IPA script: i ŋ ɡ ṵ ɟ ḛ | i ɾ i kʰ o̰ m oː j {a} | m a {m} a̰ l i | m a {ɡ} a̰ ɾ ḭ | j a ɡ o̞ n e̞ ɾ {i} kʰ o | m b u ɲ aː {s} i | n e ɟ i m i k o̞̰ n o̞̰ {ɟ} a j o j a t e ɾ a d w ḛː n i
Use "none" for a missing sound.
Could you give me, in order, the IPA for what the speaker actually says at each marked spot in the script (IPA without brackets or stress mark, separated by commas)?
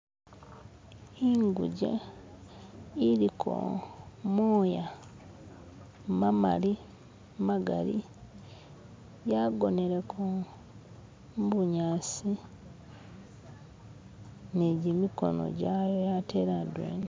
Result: a, m, ɡ, e, s, ɟ